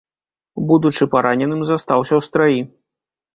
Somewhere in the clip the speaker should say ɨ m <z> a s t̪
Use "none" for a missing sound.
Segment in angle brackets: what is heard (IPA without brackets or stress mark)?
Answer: z